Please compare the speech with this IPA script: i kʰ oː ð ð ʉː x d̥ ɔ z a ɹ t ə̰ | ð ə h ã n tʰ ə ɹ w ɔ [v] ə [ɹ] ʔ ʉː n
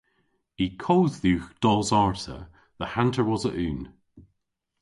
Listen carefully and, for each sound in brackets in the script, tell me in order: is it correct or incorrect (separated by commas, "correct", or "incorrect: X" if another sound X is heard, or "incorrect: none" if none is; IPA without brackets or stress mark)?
incorrect: z, incorrect: none